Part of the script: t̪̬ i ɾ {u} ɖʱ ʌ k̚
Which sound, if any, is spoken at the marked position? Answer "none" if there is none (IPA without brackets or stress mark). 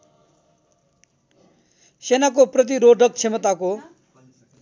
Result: o